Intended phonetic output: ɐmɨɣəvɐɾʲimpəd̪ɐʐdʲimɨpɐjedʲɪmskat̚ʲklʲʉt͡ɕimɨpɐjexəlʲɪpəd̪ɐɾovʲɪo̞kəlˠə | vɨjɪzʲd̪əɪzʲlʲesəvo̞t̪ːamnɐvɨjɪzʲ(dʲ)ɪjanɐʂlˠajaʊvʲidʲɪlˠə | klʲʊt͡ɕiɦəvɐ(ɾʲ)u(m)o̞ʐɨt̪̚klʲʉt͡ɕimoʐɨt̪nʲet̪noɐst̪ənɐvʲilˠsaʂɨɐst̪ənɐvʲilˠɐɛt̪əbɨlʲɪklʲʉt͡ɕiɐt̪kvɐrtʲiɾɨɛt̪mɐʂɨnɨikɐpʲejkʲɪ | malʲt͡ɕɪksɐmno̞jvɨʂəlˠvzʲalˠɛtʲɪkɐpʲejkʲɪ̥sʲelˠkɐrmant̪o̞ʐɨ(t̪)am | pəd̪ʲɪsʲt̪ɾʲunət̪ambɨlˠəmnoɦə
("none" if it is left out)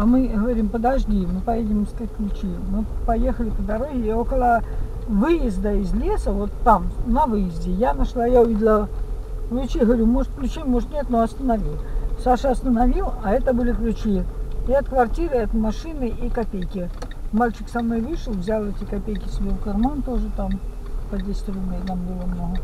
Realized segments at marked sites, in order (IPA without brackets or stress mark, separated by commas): dʲ, ɾʲ, m, t̪